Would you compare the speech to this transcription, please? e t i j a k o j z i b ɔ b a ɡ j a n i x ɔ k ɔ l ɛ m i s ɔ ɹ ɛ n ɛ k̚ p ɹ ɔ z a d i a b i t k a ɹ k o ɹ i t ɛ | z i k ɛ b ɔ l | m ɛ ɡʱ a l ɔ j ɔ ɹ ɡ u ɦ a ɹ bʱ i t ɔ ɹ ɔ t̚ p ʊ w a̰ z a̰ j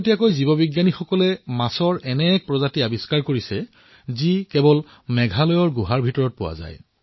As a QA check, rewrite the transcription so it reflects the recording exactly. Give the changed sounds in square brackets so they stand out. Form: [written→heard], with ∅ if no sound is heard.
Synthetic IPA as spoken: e t i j a k o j z i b ɔ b [a→i] ɡ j a n i x ɔ k ɔ l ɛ m [i→a] s ɔ ɹ ɛ n ɛ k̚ p ɹ ɔ z a [d→t] i a b i [t→s] k a ɹ k o ɹ i [t→s] ɛ | z i k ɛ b ɔ l | m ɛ ɡʱ a l ɔ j ɔ ɹ ɡ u ɦ a ɹ bʱ i t ɔ ɹ ɔ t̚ p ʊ w a̰ z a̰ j